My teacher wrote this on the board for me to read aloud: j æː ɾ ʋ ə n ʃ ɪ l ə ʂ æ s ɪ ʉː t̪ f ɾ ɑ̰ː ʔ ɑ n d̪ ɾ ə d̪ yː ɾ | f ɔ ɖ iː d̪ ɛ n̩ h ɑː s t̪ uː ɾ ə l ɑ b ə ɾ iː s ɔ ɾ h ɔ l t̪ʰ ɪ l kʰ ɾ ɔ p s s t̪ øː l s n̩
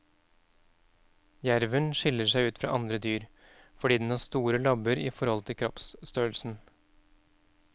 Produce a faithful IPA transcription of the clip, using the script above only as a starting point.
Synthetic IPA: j æ ɾ ʋ ə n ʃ ɪ l ə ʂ æ ɪ ʉː t̪ f ɾ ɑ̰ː ʔ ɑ n d̪ ɾ ə d̪ yː ɾ | f ɔ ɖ iː d̪ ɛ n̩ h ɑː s t̪ uː ɾ ə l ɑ b ə ɾ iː f ɔ ɾ h ɔ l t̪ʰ ɪ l kʰ ɾ ɔ p s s t̪ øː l s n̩